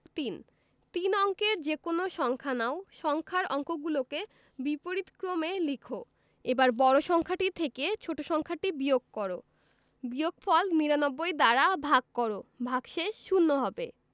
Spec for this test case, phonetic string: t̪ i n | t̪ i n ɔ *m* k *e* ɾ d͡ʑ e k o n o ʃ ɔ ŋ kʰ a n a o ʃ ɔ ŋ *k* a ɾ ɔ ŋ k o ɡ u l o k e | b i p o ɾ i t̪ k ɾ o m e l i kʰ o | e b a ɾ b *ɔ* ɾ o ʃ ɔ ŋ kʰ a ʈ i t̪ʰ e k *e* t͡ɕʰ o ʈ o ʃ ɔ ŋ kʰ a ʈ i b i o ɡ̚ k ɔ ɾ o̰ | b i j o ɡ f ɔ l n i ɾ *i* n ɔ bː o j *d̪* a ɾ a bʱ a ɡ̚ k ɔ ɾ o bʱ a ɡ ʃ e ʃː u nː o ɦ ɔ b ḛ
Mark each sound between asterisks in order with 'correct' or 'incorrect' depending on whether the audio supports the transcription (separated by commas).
incorrect, correct, incorrect, correct, correct, incorrect, correct